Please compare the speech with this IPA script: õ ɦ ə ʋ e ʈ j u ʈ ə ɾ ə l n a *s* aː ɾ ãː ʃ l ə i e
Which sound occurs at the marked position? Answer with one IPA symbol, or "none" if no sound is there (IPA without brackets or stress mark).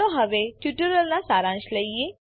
s